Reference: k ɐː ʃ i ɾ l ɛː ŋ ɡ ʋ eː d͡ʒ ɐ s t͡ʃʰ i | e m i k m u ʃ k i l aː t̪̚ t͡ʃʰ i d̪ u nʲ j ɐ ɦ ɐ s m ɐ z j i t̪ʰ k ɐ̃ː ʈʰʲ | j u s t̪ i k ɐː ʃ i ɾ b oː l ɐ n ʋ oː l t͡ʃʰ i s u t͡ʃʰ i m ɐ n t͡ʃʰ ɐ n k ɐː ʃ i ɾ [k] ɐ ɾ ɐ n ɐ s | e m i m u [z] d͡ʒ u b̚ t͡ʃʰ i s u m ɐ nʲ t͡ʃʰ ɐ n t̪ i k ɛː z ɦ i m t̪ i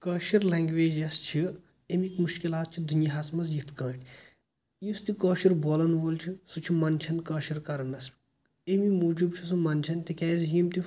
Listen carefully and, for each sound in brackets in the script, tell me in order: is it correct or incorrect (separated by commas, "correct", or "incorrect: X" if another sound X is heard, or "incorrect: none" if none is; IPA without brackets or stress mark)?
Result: correct, incorrect: none